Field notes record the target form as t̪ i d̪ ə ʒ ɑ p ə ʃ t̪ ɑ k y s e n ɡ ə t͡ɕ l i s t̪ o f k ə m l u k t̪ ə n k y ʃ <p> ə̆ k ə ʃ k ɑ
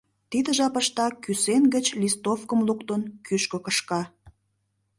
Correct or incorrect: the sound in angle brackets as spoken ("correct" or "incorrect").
incorrect